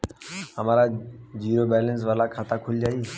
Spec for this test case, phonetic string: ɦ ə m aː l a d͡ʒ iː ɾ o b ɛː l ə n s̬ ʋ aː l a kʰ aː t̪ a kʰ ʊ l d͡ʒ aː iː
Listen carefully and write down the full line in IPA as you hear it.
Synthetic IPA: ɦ ə m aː ɾ a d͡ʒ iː ɾ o b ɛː l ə n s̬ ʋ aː l a kʰ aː t̪ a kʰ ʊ l d͡ʒ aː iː